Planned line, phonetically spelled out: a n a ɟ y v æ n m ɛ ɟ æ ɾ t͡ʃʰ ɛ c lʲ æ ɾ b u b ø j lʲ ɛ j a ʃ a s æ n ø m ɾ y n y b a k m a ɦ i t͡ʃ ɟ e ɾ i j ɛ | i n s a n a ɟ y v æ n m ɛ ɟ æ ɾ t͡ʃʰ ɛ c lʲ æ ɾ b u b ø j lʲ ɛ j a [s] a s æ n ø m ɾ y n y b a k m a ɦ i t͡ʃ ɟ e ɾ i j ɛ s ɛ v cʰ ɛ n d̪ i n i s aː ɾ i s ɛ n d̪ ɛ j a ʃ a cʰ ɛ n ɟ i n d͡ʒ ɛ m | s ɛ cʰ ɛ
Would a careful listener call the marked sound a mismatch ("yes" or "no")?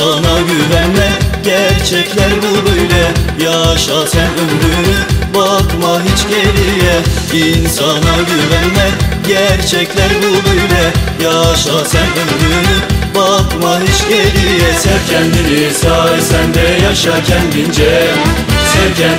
yes